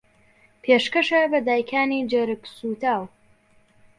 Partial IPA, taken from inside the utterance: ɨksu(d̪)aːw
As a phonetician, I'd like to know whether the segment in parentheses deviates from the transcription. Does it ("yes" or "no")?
yes